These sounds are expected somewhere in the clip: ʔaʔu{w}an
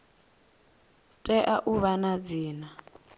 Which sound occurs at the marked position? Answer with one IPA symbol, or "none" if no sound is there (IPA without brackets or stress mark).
β